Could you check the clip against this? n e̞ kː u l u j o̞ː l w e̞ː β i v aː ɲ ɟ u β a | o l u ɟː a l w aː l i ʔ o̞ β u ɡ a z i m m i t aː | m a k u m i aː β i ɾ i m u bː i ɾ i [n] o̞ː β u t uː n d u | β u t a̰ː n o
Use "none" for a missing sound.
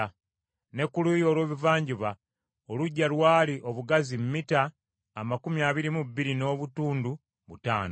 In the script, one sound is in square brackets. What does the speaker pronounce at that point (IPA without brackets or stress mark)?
n